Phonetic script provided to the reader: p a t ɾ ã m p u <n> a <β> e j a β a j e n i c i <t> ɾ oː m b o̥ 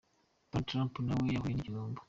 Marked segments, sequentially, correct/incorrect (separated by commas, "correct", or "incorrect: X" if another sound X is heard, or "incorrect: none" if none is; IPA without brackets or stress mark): correct, incorrect: w, incorrect: none